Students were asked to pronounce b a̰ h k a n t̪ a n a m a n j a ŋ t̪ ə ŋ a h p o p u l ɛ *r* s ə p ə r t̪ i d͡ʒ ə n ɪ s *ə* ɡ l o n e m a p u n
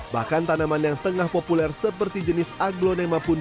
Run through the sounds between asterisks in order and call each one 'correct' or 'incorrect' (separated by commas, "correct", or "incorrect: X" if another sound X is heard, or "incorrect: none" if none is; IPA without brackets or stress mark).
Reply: correct, incorrect: a